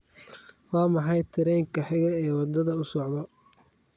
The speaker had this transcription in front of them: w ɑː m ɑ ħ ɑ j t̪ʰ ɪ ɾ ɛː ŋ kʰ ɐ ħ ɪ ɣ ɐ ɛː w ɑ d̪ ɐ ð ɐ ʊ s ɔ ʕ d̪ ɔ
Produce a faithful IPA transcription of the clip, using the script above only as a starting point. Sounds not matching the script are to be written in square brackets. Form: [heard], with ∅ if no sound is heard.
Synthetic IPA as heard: w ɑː m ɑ ħ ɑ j t̪ʰ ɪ ɾ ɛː ŋ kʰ ɐ ħ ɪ ɣ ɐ ɛː w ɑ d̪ ɐ ð ɐ ʊ s ɔ ʕ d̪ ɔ